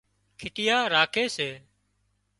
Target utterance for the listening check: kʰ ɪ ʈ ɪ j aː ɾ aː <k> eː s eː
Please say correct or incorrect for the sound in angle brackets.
incorrect